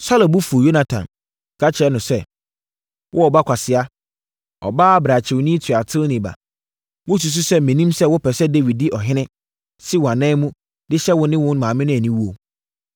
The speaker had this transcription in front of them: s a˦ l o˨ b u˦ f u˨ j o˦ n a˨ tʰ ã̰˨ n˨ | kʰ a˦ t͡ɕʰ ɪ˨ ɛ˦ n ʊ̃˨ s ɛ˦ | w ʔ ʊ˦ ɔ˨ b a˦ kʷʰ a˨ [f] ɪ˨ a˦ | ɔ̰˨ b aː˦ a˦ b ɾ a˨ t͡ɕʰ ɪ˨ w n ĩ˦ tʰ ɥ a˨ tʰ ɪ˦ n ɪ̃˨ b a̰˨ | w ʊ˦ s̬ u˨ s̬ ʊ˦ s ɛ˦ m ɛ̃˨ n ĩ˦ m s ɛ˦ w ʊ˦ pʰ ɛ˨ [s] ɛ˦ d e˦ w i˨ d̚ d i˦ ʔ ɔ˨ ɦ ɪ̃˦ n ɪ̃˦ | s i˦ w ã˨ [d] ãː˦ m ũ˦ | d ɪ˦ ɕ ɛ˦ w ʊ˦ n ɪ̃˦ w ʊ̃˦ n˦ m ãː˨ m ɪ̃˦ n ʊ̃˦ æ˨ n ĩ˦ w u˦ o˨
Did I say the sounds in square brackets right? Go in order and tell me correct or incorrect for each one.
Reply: incorrect: s, correct, incorrect: n

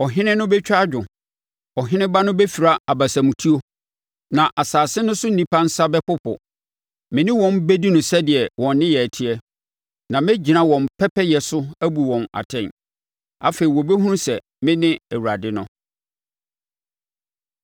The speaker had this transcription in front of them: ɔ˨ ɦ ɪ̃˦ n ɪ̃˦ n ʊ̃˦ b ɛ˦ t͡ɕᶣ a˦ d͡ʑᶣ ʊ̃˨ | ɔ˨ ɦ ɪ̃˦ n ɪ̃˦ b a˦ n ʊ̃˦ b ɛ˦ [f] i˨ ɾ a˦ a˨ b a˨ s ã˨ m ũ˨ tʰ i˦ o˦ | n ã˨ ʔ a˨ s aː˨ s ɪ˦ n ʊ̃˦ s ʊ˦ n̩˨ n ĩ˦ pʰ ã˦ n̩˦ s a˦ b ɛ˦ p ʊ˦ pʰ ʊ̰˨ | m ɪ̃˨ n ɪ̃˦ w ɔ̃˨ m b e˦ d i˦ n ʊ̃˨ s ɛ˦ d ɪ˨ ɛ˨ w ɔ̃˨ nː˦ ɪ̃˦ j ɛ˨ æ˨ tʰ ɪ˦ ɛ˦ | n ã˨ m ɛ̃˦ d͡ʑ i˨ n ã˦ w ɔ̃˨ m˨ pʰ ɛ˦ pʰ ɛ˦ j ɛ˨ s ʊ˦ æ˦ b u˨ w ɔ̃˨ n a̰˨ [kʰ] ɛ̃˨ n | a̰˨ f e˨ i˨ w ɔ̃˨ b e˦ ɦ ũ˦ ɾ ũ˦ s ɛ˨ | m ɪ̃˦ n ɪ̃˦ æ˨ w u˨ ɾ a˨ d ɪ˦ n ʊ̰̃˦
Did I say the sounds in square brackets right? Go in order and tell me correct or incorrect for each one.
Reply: correct, incorrect: tʰ

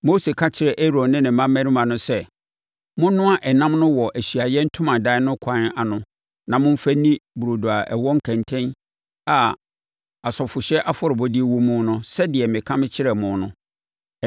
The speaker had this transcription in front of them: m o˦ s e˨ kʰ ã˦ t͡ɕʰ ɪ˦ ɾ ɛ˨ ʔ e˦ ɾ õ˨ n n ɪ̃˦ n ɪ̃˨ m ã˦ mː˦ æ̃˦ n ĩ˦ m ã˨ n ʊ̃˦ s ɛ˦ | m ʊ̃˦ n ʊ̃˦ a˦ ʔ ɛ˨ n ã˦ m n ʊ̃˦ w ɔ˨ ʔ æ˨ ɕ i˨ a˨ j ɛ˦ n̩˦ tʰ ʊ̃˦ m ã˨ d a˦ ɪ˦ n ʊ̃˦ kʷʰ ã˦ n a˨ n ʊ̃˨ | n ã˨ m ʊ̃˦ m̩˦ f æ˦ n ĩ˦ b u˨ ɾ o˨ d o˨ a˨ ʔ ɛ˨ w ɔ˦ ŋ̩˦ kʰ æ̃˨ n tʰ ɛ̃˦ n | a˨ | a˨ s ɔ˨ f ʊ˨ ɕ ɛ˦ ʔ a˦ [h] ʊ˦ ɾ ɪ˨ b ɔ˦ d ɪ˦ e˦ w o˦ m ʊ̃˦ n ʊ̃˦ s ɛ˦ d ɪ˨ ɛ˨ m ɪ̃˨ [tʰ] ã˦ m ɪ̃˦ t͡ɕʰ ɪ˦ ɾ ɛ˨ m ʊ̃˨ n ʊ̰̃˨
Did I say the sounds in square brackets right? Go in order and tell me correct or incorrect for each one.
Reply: incorrect: f, incorrect: kʰ

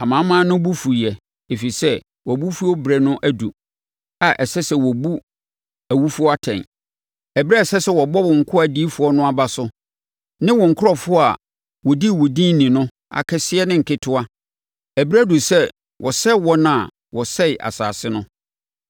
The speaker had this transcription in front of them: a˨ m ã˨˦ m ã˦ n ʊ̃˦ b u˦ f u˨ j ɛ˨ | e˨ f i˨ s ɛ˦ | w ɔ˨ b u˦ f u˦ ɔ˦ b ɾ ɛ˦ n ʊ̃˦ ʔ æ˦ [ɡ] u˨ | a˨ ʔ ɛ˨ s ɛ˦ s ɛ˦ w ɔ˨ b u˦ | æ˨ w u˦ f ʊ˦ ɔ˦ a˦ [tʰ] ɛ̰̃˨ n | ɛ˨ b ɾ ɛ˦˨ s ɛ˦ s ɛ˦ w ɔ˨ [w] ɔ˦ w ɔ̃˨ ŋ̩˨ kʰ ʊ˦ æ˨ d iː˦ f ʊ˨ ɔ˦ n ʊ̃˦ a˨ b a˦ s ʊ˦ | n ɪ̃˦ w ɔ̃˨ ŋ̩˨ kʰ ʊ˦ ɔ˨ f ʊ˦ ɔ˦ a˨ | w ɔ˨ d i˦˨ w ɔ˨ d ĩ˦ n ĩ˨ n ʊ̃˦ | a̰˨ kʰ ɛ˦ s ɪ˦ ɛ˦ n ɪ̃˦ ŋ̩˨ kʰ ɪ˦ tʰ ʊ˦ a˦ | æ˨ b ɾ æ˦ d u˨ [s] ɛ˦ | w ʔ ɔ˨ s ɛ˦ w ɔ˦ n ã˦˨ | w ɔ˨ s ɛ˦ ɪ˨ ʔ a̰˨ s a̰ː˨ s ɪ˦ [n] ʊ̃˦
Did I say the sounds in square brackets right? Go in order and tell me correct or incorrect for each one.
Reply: incorrect: d, correct, incorrect: b, correct, correct

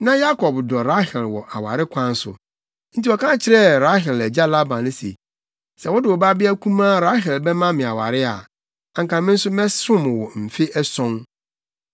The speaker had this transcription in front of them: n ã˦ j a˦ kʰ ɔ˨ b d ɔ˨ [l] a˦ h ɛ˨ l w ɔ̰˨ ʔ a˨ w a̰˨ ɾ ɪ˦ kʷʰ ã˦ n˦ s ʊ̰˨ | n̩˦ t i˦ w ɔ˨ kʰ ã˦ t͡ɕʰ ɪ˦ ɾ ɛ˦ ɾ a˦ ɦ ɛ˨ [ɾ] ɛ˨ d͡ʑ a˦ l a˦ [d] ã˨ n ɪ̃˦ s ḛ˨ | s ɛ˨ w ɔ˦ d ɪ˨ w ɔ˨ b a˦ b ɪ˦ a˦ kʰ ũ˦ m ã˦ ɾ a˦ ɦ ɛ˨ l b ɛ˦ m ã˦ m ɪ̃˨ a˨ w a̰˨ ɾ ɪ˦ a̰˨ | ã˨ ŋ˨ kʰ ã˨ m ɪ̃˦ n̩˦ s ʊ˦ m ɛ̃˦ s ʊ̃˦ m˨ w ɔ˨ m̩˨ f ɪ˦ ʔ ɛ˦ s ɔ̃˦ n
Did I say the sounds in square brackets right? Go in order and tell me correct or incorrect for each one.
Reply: incorrect: ɾ, incorrect: l, incorrect: b

